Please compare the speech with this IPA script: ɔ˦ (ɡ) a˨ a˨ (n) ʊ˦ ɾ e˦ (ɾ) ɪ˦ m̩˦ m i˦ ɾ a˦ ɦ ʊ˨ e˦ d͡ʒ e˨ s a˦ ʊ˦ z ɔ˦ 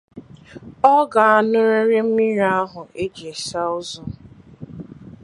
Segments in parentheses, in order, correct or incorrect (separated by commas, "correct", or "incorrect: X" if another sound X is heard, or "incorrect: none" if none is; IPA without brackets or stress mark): correct, correct, correct